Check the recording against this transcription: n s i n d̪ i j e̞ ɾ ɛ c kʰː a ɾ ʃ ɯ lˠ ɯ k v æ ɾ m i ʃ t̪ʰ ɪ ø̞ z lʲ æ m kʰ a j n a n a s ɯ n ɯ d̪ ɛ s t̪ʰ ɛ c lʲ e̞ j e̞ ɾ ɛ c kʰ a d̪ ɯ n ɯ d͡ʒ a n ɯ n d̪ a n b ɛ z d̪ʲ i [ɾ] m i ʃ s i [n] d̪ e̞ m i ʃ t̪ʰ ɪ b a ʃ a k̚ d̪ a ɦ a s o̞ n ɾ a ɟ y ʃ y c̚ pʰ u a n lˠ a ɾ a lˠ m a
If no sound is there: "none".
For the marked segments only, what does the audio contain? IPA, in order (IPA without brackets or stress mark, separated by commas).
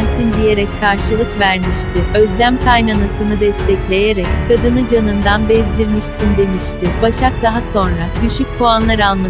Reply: ɾ, n